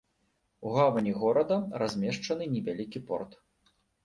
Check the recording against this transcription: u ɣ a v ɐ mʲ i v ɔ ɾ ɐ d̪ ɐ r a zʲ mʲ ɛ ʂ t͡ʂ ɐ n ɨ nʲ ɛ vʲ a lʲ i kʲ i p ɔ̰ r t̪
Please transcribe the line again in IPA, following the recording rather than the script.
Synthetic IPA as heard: u ɣ a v ɐ nʲ i ɣ ɔ ɾ ɐ d̪ ɐ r a zʲ mʲ ɛ ʂ t͡ʂ ɐ n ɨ nʲ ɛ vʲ a lʲ i kʲ i p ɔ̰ r t̪